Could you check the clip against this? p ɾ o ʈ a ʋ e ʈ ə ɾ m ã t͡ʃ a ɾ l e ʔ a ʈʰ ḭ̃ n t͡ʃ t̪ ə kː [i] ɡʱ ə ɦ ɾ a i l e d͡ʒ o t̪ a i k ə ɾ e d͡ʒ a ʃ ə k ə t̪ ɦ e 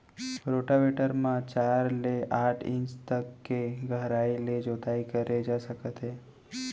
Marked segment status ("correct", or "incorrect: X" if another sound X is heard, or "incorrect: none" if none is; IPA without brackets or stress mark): incorrect: e